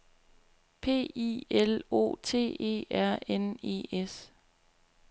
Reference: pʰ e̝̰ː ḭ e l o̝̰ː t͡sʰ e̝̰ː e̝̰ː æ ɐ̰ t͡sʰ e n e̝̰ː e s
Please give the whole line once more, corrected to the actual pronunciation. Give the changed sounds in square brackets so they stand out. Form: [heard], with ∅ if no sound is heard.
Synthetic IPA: pʰ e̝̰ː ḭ e l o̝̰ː t͡sʰ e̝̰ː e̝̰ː æ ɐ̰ [∅] e n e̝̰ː e s